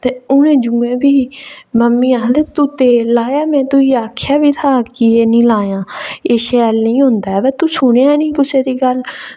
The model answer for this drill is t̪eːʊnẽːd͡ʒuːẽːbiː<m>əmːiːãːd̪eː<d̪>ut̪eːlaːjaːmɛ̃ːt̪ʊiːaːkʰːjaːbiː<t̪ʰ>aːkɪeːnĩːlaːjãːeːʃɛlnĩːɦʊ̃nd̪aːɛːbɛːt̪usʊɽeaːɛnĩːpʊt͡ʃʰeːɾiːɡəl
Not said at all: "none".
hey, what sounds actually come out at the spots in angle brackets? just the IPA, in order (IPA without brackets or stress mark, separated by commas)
m, t̪, t̪ʰ